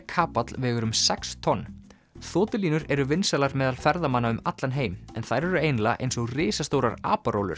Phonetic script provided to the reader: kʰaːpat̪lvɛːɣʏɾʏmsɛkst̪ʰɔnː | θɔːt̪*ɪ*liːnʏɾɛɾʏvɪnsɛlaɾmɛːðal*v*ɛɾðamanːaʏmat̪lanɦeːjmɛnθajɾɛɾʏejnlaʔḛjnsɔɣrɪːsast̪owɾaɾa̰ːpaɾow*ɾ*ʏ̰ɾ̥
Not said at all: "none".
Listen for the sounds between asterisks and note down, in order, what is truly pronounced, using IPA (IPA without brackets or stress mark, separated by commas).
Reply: ɪ, f, l